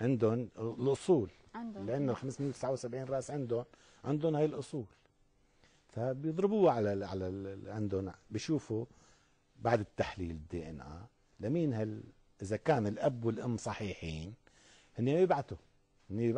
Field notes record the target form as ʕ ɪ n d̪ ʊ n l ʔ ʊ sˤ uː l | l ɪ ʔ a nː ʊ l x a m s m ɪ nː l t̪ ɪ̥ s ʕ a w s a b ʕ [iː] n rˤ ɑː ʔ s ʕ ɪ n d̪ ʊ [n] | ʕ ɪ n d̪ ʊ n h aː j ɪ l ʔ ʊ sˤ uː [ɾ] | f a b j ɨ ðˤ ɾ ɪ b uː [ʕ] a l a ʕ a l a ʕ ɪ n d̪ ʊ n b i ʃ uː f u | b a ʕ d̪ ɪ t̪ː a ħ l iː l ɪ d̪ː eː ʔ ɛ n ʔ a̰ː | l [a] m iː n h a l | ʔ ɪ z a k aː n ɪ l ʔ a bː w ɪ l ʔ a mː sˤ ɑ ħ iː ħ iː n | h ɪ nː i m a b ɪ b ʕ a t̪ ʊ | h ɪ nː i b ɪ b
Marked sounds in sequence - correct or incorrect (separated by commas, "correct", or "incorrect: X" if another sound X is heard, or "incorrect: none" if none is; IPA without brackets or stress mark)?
correct, correct, incorrect: l, correct, correct